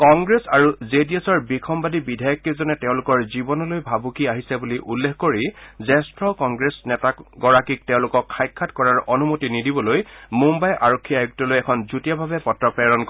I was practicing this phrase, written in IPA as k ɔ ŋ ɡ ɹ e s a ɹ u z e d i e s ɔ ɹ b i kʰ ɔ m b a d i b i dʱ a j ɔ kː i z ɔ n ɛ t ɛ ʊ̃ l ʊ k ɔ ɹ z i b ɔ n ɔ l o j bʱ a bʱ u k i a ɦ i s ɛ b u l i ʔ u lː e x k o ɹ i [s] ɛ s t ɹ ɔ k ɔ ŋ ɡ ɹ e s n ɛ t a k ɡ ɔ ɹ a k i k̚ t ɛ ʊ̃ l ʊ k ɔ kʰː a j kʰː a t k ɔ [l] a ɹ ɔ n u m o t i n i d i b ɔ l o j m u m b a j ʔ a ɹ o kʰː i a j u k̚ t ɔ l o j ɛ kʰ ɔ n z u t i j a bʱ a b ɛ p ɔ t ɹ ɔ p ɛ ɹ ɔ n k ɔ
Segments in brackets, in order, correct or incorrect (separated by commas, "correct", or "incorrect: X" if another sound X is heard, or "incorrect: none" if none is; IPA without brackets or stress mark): incorrect: z, incorrect: ɹ